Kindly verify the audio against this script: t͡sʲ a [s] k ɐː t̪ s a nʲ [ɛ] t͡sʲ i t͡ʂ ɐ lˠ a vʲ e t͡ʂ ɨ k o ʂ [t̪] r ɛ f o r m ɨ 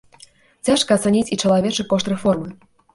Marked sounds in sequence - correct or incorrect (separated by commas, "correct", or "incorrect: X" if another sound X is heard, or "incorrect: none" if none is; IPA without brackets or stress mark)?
incorrect: ʂ, incorrect: i, correct